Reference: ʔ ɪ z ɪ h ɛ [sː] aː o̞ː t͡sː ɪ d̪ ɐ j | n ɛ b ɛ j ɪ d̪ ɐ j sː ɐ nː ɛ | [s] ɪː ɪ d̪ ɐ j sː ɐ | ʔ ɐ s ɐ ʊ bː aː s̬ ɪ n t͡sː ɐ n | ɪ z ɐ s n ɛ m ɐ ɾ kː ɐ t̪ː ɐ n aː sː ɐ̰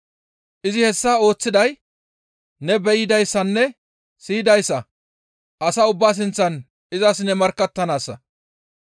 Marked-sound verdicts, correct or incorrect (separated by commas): correct, correct